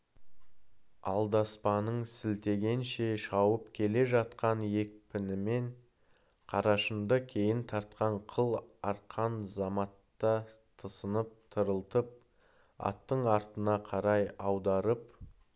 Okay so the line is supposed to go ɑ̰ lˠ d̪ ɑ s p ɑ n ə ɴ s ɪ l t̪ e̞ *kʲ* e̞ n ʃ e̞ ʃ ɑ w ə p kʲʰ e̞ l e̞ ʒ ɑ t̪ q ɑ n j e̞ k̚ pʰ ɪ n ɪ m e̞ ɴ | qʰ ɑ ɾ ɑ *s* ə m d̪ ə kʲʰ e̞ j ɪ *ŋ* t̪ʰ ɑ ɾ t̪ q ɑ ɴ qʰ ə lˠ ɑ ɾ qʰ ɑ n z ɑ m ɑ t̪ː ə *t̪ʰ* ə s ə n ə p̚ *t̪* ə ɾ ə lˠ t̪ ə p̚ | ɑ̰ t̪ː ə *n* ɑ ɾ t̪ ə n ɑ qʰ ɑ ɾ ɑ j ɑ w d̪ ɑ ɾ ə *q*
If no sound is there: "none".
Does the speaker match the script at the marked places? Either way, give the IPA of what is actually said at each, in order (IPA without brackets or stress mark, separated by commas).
ɡʲ, ʃ, n, t̪ʰ, t̪ʰ, ɴ, p